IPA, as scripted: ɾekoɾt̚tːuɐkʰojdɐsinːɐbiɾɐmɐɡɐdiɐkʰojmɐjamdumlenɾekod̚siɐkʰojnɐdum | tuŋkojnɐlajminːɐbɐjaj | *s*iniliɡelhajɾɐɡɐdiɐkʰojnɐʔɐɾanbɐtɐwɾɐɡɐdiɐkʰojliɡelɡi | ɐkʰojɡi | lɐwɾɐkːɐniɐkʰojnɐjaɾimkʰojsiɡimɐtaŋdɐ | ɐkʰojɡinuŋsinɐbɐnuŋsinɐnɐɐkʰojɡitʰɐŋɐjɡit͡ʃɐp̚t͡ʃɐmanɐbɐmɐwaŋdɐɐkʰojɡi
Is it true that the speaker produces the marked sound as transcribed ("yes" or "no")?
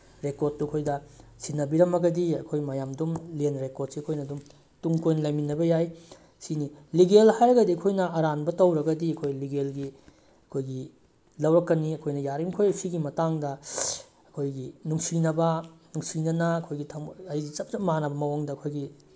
yes